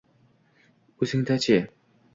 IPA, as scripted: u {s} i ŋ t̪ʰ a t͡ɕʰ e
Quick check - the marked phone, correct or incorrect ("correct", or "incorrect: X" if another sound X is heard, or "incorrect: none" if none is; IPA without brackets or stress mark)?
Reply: correct